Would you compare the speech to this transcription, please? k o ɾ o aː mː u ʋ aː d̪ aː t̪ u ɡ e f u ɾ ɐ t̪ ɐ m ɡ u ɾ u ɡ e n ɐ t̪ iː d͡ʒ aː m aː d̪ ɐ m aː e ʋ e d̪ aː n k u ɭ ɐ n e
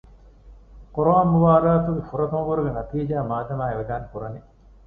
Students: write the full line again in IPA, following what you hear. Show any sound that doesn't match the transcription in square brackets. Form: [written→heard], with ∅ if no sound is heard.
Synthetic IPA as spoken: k o ɾ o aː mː u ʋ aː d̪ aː t̪ u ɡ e f u ɾ ɐ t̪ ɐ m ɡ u ɾ u ɡ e n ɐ t̪ iː d͡ʒ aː m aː d̪ ɐ m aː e ʋ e d̪ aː n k u [ɭ→ɾ] ɐ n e

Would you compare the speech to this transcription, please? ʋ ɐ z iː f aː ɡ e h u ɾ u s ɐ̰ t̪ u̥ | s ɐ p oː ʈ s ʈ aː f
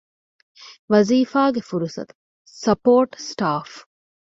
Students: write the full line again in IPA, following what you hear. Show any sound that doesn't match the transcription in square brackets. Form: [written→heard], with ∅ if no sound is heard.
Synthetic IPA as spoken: ʋ ɐ z iː f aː ɡ e [h→f] u ɾ u s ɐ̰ t̪ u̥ | s ɐ p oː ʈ s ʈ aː f

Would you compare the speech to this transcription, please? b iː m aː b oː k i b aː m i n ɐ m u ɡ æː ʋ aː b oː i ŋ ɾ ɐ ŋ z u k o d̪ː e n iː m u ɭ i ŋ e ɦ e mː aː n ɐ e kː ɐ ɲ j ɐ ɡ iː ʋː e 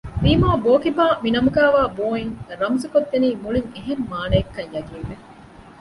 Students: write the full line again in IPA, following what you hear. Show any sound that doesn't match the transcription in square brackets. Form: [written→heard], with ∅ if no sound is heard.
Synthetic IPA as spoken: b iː m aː b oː k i b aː m i n ɐ m u ɡ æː ʋ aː b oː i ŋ ɾ ɐ [ŋ→m] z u k o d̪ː e n iː m u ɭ i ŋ e ɦ e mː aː n ɐ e kː ɐ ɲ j ɐ ɡ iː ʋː e

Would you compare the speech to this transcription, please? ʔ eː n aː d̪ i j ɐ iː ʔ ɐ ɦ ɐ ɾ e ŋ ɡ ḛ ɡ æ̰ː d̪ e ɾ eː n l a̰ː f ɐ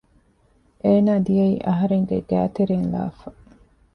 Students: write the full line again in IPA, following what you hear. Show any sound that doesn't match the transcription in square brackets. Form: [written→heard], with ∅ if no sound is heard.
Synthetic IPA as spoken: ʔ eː n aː d̪ i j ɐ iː ʔ ɐ ɦ ɐ ɾ e ŋ ɡ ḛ ɡ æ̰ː [d̪→t̪] e ɾ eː n l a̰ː f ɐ

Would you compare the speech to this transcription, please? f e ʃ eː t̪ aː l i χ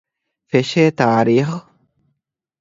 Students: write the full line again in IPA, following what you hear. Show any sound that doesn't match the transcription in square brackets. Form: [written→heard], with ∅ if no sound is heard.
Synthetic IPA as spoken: f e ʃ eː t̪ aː [l→ɾ] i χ

